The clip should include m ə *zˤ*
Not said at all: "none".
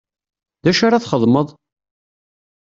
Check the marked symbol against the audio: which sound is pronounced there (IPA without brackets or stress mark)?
ðˤ